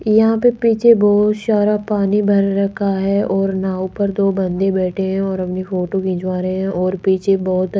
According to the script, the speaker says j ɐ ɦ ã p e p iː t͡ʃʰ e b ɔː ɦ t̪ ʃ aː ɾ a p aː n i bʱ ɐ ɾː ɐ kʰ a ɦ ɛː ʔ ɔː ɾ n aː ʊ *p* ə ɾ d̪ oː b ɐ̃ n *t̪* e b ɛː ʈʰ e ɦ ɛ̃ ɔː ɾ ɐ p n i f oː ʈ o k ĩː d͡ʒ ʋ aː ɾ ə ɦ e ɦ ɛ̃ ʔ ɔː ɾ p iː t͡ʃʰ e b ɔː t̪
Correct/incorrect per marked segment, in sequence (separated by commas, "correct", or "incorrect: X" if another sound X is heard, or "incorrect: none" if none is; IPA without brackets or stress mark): correct, incorrect: d̪